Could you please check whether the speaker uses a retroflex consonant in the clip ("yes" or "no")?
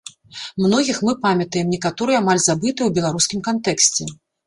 no